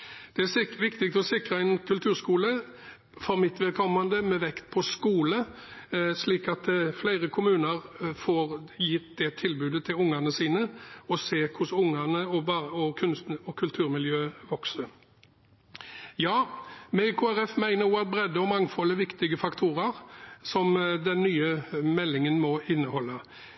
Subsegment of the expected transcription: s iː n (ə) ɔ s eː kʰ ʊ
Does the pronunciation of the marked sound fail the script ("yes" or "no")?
no